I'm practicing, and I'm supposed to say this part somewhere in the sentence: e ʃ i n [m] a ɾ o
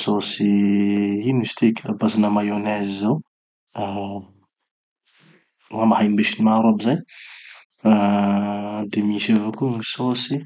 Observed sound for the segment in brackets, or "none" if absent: m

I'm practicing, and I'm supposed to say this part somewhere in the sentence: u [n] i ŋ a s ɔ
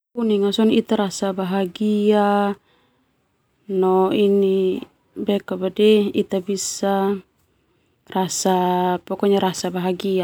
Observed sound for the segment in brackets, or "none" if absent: n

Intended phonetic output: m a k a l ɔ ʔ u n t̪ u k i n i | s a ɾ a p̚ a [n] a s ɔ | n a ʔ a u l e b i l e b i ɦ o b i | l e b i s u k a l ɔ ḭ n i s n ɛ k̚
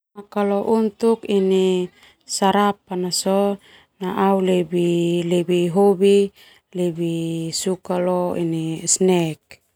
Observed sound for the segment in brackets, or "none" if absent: n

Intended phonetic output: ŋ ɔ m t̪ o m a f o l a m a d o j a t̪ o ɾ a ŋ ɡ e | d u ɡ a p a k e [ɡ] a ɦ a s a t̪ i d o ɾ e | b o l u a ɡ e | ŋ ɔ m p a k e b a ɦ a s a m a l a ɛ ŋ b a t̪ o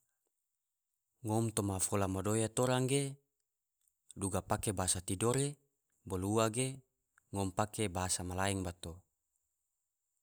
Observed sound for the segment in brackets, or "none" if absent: b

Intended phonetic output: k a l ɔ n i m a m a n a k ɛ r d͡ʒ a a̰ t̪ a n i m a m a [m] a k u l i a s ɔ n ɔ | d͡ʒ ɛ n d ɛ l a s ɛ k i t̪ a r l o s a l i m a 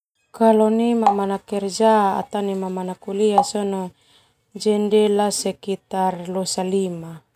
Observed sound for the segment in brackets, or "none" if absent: n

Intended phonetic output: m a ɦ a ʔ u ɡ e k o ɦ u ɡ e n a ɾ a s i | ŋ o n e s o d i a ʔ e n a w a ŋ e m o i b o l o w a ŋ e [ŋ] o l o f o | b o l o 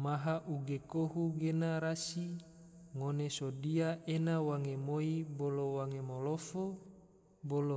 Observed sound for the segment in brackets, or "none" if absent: m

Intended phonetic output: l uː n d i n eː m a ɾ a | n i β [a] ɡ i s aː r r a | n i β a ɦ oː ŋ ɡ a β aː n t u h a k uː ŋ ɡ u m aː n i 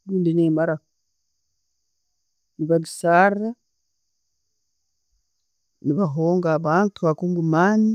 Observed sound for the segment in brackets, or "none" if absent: a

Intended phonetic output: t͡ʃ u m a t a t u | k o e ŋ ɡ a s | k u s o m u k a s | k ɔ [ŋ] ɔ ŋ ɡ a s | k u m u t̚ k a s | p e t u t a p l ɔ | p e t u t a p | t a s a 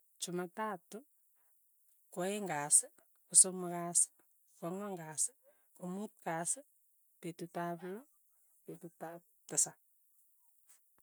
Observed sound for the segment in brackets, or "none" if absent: ŋ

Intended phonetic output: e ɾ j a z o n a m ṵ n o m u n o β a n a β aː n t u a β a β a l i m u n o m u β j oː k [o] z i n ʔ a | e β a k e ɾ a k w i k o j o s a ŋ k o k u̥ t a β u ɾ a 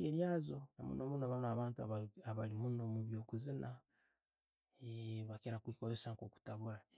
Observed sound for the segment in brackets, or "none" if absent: u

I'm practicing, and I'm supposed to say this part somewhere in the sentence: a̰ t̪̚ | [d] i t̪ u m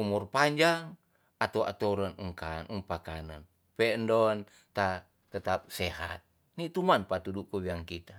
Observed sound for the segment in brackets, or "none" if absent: n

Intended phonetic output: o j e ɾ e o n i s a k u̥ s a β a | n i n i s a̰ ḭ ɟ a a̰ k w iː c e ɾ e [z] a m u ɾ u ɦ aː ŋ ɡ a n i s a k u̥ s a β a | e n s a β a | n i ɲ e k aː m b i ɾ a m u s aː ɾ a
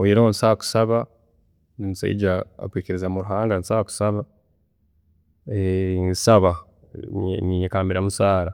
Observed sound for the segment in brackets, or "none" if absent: z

